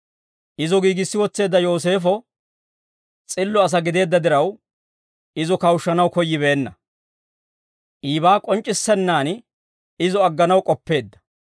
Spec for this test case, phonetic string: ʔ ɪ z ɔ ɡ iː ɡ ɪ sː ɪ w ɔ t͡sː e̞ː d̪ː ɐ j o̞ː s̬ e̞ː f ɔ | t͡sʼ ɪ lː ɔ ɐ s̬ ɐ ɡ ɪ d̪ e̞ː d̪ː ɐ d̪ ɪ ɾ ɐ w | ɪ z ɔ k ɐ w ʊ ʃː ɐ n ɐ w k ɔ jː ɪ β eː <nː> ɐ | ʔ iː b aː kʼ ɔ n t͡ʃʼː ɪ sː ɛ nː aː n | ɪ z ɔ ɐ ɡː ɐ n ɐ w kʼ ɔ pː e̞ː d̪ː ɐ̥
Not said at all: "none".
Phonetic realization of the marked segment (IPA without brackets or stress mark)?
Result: nː